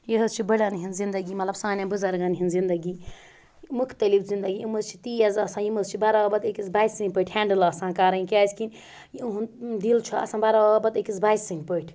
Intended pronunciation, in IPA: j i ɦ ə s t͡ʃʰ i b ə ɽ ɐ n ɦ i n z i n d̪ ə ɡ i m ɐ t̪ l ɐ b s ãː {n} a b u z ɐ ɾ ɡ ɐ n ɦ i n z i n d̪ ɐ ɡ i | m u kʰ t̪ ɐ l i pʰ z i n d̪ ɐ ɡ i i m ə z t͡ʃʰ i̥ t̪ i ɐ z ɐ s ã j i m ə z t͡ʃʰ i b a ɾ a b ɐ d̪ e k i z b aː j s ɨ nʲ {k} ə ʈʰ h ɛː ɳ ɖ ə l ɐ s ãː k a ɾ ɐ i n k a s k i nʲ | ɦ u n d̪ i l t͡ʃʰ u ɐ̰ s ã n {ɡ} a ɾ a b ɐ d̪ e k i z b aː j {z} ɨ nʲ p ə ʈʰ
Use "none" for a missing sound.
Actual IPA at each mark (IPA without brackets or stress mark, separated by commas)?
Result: n, p, b, s